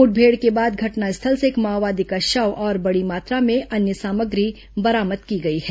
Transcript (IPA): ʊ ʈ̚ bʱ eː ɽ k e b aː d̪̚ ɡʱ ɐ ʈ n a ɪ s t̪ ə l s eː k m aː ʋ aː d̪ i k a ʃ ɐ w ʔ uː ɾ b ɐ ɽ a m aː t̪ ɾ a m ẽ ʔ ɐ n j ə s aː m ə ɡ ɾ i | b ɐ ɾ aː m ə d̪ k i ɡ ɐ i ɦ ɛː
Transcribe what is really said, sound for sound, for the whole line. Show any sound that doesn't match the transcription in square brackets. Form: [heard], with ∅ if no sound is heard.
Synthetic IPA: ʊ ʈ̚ bʱ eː ɽ k e b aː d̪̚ ɡʱ ɐ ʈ n a ɪ s [t̪ʰ] ə l s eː k m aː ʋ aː d̪ i k a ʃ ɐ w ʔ [ɔː] ɾ b ɐ ɽ [i] m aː t̪ ɾ a m ẽ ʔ ɐ n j ə s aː m ə ɡ ɾ i | b ɐ ɾ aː m ə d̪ k i ɡ ɐ i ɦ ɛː